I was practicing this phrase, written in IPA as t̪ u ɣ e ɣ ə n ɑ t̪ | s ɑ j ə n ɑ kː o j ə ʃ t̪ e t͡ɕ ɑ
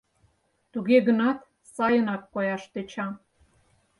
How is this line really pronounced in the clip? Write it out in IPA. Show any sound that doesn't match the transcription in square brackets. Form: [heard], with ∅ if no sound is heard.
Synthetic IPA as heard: t̪ u ɣ e ɣ ə n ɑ t̪ | s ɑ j ə n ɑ kː o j [ɑ] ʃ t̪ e t͡ɕ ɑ

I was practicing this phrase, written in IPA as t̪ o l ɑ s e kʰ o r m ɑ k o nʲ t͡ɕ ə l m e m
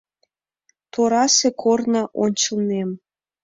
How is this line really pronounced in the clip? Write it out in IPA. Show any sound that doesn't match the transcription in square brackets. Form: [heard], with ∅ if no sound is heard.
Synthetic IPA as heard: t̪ o [ɾ] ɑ s e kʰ o r [n] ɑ [ʔ] o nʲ t͡ɕ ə l [n] e m

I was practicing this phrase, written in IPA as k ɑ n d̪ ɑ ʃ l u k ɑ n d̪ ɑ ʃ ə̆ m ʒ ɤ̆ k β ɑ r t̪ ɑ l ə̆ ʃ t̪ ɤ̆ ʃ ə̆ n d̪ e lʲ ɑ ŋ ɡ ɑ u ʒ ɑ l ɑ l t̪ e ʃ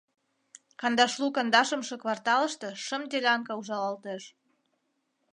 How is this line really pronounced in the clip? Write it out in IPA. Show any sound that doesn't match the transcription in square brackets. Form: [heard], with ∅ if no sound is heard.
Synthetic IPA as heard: k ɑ n d̪ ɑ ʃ l u k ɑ n d̪ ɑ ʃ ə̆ m [ʃ] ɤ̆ k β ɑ r t̪ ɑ l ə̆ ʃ t̪ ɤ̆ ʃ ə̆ [m] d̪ e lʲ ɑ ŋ [k] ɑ u ʒ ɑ l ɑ l t̪ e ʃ

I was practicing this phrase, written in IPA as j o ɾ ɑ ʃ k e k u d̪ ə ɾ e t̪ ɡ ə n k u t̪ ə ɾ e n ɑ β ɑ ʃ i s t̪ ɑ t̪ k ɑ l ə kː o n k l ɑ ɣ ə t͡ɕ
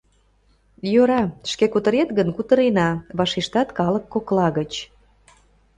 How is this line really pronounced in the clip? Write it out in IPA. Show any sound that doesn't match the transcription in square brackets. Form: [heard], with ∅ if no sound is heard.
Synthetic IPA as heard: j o ɾ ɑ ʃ k e k u [t̪] ə ɾ e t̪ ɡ ə n k u t̪ ə ɾ e n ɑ β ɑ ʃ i [ʃ] t̪ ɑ t̪ k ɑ l ə kː o [∅] k l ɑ ɣ ə t͡ɕ

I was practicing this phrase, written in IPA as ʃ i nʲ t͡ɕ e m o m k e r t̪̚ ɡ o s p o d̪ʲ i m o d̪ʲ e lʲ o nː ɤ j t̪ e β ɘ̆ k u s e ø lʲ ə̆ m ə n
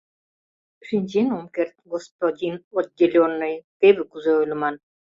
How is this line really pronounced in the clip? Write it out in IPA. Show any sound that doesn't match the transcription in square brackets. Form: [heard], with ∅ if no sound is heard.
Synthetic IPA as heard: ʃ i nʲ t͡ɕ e [n] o m k e r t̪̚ ɡ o s p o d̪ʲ i [n] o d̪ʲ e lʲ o nː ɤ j t̪ e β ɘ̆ k u [z] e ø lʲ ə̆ m [ɑ] n

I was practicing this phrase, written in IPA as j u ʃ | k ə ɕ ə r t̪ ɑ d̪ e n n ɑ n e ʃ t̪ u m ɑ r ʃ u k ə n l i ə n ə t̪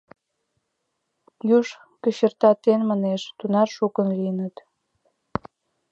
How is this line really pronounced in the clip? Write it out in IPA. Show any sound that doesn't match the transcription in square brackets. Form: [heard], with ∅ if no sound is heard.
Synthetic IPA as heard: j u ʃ | k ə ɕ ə r t̪ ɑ [t̪] e n [m] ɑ n e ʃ t̪ u [n] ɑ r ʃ u k ə n l i ə n ə t̪

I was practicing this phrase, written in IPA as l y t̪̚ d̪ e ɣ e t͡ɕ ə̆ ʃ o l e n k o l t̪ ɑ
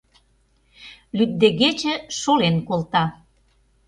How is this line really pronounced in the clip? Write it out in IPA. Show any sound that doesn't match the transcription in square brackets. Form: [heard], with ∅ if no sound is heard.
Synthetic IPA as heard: l y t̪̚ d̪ e ɣ e t͡ɕ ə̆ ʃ o l e n k o l t̪ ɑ

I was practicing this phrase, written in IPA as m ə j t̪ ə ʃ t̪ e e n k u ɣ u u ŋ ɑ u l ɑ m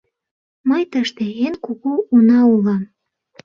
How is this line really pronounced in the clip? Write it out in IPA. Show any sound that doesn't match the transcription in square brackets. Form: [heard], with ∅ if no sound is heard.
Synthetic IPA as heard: m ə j t̪ ə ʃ t̪ e e n k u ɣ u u [n] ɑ u l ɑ m

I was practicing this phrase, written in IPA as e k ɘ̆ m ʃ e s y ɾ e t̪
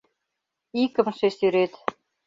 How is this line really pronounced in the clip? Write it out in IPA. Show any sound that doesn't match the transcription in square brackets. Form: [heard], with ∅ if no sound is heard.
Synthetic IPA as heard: [i] k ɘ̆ m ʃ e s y ɾ e t̪

